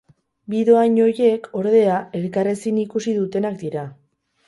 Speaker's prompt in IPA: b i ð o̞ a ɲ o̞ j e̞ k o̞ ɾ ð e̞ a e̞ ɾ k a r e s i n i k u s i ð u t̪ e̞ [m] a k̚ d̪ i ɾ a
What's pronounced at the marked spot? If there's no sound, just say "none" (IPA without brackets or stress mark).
n